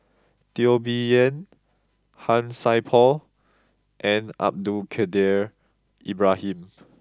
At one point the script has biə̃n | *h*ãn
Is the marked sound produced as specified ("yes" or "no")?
yes